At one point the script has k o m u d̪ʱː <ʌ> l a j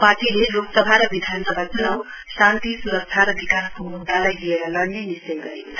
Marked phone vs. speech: incorrect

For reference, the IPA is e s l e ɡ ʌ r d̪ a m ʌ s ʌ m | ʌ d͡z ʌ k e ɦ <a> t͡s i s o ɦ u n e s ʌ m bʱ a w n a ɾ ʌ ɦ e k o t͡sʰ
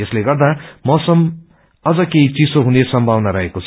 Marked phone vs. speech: incorrect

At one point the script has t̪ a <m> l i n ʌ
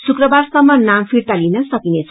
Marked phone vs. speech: incorrect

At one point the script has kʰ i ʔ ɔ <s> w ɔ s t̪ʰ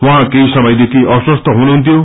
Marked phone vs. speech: correct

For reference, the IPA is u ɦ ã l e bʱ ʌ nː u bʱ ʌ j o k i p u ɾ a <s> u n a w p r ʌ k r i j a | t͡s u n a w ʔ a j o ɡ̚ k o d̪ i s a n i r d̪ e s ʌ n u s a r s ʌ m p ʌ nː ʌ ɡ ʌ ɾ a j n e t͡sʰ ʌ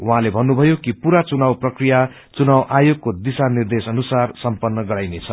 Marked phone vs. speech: incorrect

